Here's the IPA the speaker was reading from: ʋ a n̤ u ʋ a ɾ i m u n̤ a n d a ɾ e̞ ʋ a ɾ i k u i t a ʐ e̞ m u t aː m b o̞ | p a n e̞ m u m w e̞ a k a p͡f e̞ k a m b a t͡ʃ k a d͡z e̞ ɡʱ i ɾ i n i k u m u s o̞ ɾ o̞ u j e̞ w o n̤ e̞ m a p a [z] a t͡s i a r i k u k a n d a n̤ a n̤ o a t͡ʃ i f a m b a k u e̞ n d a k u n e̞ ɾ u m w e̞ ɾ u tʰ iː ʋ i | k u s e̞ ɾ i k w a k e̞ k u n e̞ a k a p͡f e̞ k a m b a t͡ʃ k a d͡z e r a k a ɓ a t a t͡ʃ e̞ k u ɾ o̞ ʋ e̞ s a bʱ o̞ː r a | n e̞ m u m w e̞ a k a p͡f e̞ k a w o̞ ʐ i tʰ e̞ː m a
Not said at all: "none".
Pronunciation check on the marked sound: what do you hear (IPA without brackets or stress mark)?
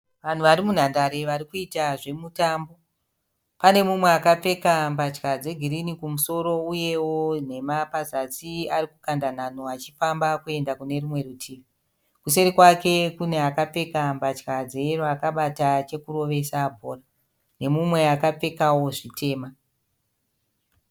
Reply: z